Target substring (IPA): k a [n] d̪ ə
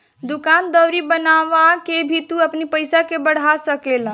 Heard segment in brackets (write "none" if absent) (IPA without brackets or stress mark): n